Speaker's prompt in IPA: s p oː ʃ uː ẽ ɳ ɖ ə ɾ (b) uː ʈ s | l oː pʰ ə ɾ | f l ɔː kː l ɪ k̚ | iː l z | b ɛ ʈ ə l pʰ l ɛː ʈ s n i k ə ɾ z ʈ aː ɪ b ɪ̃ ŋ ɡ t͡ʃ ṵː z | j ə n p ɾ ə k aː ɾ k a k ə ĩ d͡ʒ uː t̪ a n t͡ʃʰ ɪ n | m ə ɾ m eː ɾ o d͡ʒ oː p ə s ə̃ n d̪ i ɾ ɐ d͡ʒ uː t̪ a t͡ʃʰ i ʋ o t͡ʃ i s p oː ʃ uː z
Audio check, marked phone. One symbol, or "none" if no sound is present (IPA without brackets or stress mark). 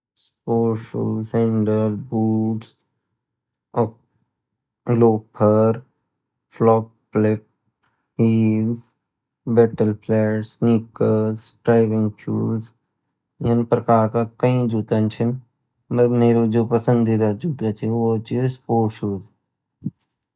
b